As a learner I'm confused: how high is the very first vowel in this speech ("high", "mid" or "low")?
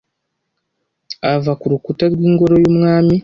low